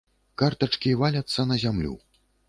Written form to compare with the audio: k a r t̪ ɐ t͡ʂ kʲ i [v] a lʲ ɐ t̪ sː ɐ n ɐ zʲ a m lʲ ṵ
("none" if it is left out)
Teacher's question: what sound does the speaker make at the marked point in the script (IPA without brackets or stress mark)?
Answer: v